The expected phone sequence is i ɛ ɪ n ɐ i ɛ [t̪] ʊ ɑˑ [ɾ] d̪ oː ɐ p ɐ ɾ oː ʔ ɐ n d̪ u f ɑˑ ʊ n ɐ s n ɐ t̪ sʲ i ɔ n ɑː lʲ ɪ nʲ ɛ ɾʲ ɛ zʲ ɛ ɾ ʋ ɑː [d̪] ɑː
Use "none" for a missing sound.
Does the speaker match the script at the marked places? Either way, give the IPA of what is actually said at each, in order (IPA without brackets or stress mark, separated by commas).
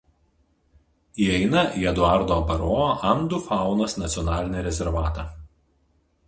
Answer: d̪, ɾ, t̪